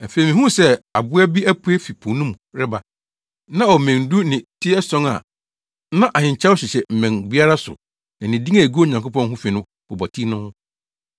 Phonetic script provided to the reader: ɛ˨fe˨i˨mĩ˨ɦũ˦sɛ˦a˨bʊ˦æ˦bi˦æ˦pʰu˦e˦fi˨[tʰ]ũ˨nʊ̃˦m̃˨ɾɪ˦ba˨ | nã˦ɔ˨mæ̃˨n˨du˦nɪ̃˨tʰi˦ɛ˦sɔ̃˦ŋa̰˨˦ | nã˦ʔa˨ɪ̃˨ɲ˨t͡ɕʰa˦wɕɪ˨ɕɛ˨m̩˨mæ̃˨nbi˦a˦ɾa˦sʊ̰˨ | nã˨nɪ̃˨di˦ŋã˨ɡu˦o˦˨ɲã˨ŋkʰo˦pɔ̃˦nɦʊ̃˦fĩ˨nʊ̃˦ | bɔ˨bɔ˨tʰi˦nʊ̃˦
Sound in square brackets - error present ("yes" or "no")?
yes